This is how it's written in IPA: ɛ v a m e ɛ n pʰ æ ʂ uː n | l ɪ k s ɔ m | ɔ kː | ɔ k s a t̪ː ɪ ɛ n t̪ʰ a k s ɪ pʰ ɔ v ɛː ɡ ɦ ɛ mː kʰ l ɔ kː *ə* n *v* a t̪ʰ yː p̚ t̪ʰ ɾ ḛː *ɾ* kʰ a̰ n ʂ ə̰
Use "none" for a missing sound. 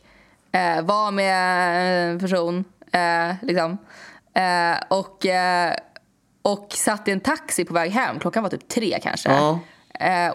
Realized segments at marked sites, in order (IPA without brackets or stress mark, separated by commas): a, v, none